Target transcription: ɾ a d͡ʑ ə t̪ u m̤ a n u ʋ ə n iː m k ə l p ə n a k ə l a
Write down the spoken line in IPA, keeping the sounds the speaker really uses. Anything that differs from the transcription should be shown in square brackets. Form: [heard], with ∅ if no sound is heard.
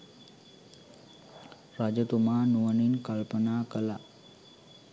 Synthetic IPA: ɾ a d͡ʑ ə t̪ u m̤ a n u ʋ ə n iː [n] k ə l p ə n a k ə l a